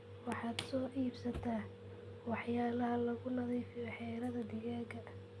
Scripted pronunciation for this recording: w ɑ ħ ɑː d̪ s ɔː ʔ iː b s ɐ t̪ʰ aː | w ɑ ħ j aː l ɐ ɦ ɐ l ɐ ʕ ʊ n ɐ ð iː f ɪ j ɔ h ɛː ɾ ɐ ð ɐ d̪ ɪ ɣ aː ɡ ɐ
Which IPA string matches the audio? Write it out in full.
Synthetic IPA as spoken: w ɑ ħ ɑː d̪ s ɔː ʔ iː b s ɐ t̪ʰ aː | w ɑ ħ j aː l ɐ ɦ ɐ l ɐ ɣ ʊ n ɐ ð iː f ɪ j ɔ ħ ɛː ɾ ɐ ð ɐ d̪ ɪ ɣ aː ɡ ɐ

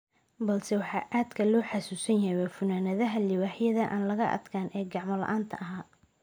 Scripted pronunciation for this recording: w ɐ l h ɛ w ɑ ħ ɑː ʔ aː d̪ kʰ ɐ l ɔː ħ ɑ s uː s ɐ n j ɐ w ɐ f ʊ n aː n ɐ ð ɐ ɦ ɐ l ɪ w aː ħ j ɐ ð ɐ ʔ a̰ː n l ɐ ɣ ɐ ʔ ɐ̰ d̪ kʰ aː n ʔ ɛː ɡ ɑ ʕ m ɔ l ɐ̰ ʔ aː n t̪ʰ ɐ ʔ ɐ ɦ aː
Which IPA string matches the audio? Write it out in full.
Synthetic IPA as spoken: b ɐ l s ɛ w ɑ ħ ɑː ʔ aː d̪ kʰ ɐ l ɔː ħ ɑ s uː s ɐ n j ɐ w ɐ f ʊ n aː n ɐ ð ɐ ɦ ɐ l ɪ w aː ħ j ɐ ð ɐ ʔ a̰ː n l ɐ ɣ ɐ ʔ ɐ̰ d̪ kʰ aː n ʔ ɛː ɡ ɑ ʕ m ɔ l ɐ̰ ʔ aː n t̪ʰ ɐ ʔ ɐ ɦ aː

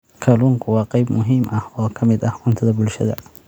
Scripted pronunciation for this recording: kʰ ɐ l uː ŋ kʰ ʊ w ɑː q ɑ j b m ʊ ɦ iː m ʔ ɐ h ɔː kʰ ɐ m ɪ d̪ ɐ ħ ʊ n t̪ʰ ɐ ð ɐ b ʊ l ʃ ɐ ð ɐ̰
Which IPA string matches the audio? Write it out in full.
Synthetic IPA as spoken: kʰ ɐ l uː ŋ kʰ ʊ w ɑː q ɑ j b m ʊ ɦ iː m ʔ ɐ h ɔː kʰ ɐ m ɪ d̪ ɐ h ʊ n t̪ʰ ɐ ð ɐ b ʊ l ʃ ɐ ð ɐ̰

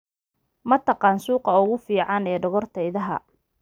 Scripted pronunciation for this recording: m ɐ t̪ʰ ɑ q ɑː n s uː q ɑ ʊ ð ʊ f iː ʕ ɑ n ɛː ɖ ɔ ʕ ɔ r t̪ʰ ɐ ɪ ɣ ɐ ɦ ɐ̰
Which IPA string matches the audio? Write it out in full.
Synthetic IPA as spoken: m ɐ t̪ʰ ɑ q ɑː n s uː q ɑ ʊ ɣ ʊ f iː ʕ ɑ n ɛː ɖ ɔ ɣ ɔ r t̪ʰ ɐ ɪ ð ɐ ɦ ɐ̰

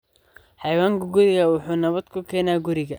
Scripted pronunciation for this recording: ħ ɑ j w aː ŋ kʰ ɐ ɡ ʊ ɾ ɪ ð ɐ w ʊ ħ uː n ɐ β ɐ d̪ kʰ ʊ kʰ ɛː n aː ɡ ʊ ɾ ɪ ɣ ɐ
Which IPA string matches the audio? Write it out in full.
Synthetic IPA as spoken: ħ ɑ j w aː ŋ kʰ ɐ ɡ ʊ ɾ ɪ ɣ ɐ w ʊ ħ uː n ɐ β ɐ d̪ kʰ ʊ kʰ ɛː n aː ɡ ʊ ɾ ɪ ɣ ɐ

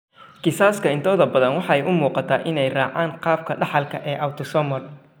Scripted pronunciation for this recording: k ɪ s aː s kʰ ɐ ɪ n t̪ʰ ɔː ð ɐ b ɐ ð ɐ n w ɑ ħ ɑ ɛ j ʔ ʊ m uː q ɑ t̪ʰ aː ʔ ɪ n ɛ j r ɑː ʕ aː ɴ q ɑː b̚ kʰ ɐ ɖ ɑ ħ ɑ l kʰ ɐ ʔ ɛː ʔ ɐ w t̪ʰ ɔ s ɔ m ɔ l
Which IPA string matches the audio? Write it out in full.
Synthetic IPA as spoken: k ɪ s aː s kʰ ɐ ɪ n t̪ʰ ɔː ð ɐ b ɐ ð ɐ n w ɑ ħ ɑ ɛ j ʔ ʊ m uː q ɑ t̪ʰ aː ʔ ɪ n ɛ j r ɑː ʕ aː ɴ q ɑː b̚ kʰ ɐ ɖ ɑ ħ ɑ l kʰ ɐ ʔ ɛː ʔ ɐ w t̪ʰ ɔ s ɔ m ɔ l

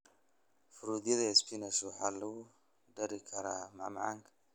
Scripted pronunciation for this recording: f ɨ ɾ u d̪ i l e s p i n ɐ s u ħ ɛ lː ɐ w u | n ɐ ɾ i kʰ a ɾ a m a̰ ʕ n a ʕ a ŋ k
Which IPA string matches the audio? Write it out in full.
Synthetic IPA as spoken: f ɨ ɾ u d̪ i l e s p i n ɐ s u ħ a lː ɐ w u | d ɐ ɾ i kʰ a ɾ a m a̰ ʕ m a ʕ a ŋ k

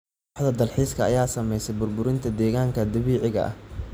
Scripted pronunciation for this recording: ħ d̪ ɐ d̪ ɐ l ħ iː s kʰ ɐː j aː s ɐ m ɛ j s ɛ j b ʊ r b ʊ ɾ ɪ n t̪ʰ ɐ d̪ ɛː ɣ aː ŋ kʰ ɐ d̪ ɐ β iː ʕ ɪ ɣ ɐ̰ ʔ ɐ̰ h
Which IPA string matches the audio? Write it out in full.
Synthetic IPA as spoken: ħ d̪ ɐ d̪ ɐ l ħ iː s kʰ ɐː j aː s ɐ m ɛ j s ɛ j b ʊ r b ʊ ɾ ɪ n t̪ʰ ɐ d̪ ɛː ɣ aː ŋ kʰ ɐ d̪ ɐ β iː ʕ ɪ ɣ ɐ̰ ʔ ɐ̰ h

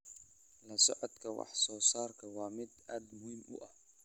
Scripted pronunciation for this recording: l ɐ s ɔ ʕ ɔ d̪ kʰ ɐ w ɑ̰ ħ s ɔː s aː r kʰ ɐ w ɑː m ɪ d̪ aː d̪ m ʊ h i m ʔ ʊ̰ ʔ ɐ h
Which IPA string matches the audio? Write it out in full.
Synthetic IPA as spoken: l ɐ s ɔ ʕ ɔ d̪ kʰ ɐ w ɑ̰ ħ s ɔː s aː r kʰ ɐ w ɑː m ɪ d̪ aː d̪ m ʊ h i m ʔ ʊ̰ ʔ ɐ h

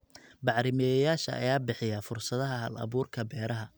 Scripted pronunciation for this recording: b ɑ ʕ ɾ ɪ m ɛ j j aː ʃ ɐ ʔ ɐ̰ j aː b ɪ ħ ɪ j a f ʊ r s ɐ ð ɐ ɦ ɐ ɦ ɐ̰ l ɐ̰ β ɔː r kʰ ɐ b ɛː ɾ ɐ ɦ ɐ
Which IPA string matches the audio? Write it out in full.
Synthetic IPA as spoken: b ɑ ʕ ɾ ɪ m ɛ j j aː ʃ ɐ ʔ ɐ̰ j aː b ɪ ħ ɪ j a f ʊ r s ɐ ð ɐ ɦ ɐ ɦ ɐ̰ l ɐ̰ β uː r kʰ ɐ b ɛː ɾ ɐ ɦ ɐ

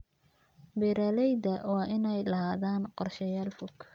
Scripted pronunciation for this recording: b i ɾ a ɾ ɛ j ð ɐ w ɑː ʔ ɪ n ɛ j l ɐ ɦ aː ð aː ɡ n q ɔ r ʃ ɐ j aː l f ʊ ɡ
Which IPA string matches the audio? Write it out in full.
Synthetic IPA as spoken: b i ɾ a l ɛ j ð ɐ w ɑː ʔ ɪ n ɛ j l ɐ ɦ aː ð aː n q ɔ r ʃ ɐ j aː l f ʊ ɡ

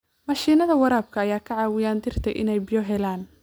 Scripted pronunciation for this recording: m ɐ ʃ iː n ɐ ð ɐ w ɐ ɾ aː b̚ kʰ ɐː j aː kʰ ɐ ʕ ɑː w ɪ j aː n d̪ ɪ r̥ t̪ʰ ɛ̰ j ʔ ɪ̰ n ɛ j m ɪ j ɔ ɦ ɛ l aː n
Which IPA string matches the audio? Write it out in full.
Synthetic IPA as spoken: m ɐ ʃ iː n ɐ ð ɐ w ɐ ɾ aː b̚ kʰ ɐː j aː kʰ ɐ ʕ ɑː w ɪ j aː n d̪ ɪ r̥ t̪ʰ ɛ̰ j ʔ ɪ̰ n ɛ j b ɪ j ɔ ɦ ɛ l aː n

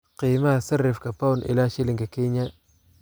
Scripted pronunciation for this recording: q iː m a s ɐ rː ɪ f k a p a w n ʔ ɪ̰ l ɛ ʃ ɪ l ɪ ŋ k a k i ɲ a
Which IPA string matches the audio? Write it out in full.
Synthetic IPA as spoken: q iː m a s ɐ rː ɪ f k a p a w n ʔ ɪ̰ l a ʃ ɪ l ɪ ŋ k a k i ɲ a

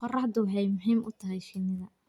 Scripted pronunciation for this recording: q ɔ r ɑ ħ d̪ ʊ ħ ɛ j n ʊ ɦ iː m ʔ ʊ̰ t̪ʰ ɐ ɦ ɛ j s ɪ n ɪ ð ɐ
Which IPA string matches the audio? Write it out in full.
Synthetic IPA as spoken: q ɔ r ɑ ħ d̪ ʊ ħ ɛ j m ʊ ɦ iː m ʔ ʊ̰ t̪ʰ ɐ ɦ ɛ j ʃ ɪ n ɪ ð ɐ

